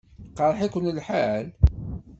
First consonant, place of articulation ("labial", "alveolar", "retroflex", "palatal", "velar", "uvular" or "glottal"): uvular